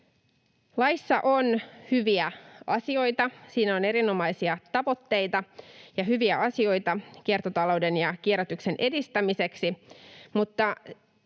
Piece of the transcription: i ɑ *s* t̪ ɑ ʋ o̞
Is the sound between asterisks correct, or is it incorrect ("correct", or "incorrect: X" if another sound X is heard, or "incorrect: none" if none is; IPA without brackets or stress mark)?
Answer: incorrect: none